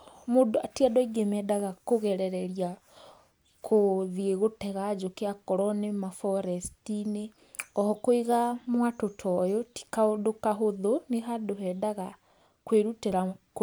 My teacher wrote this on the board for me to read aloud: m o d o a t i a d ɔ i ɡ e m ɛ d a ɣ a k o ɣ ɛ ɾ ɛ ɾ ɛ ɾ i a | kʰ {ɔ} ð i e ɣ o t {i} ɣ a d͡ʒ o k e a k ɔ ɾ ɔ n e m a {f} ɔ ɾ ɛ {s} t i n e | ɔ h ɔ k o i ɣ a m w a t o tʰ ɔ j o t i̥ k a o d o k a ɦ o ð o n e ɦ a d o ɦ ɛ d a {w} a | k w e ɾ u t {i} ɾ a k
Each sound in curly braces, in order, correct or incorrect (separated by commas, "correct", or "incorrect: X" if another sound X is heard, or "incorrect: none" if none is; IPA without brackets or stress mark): incorrect: o, incorrect: ɛ, correct, correct, incorrect: ɣ, incorrect: e